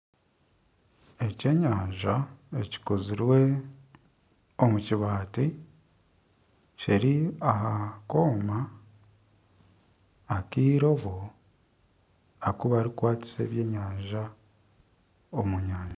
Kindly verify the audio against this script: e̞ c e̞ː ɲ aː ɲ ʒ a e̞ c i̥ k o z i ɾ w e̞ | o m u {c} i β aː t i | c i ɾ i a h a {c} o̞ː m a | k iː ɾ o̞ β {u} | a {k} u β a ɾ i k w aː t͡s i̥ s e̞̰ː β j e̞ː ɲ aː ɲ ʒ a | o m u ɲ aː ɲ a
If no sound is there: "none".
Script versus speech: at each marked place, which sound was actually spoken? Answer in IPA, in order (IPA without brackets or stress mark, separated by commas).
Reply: c, k, o, k